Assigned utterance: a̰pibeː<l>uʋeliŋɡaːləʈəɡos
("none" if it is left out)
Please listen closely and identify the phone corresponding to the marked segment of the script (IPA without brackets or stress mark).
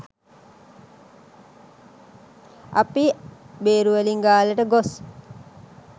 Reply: ɾ